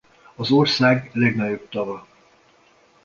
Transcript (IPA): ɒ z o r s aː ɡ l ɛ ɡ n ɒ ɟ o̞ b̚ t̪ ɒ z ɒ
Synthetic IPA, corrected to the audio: ɒ z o r s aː ɡ l ɛ ɡ n ɒ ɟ o̞ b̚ t̪ ɒ v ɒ